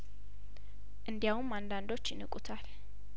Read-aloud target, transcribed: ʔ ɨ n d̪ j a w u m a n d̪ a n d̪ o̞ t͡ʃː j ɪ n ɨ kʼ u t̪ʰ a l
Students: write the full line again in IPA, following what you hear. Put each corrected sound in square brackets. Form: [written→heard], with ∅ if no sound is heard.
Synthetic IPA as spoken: ʔ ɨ n d̪ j a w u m a n d̪ a n d̪ o̞ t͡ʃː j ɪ n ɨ kʼ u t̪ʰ a l